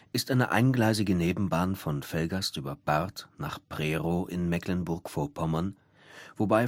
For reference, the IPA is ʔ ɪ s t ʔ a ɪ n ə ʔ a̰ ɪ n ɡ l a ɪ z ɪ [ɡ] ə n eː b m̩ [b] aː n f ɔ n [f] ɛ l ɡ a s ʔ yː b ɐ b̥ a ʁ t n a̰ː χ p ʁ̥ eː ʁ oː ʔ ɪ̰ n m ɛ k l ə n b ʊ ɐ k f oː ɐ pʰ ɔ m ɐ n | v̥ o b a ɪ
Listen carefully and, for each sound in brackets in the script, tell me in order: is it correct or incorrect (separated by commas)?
correct, correct, correct